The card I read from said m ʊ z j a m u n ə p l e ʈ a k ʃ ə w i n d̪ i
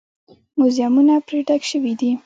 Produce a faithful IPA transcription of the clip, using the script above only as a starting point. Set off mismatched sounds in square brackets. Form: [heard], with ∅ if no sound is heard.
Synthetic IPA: m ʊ z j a m u n [a] p [ɾ] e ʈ a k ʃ ə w i [∅] d̪ i